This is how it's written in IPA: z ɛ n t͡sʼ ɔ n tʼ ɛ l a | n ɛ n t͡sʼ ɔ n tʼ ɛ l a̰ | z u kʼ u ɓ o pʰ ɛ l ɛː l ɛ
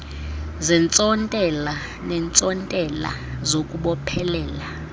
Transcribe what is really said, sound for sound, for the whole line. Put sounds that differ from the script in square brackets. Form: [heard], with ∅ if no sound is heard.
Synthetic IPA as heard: z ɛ n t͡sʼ ɔ n tʼ ɛ l a | n ɛ n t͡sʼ ɔ n tʼ ɛ l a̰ | z [o] kʼ u ɓ [ɔ] pʰ ɛ l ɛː l [a]